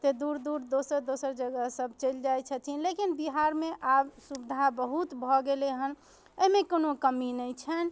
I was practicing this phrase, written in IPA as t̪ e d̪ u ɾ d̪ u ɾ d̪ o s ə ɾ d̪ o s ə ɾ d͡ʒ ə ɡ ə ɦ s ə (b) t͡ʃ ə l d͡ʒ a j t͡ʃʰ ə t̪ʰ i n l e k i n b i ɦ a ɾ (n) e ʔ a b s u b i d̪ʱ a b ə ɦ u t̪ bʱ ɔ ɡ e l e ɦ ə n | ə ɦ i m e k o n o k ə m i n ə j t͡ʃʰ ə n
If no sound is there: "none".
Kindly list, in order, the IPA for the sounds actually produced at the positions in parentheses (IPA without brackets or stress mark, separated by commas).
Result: b, m